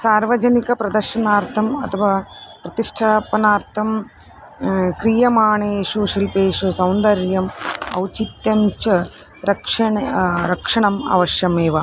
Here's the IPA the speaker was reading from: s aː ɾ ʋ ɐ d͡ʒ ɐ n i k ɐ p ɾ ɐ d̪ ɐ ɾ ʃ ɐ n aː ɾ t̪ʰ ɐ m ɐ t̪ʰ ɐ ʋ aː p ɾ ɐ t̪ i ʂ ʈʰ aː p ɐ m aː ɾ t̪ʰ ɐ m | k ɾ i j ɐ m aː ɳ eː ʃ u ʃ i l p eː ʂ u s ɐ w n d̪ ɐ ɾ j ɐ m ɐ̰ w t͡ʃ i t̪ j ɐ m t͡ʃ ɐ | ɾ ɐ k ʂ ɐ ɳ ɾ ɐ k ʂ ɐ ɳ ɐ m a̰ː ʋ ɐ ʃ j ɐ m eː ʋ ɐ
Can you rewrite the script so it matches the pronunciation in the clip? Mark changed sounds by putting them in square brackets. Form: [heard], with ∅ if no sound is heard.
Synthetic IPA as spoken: s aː ɾ ʋ ɐ d͡ʒ ɐ n i k ɐ p ɾ ɐ d̪ ɐ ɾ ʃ ɐ n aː ɾ t̪ʰ ɐ m ɐ t̪ʰ ɐ ʋ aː p ɾ ɐ t̪ i ʂ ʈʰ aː p ɐ [n] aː ɾ t̪ʰ ɐ m | k ɾ i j ɐ m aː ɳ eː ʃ u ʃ i l p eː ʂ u s ɐ w n d̪ ɐ ɾ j ɐ m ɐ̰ w t͡ʃ i t̪ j ɐ m t͡ʃ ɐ | ɾ ɐ k ʂ ɐ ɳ ɾ ɐ k ʂ ɐ ɳ ɐ m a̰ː ʋ ɐ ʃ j ɐ m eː ʋ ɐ